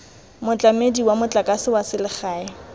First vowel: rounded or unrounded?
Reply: rounded